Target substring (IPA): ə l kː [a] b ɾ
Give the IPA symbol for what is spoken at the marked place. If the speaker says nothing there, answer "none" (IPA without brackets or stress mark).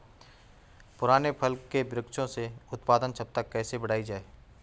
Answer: e